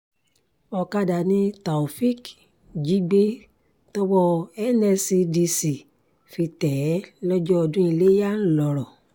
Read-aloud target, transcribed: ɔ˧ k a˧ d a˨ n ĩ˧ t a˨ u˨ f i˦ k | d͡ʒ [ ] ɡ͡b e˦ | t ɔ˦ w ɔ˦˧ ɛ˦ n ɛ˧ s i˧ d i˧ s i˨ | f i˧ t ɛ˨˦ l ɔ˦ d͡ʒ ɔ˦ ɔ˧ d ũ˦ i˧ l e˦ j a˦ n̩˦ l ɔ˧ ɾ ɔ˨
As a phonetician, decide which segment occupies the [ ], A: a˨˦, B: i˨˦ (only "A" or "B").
B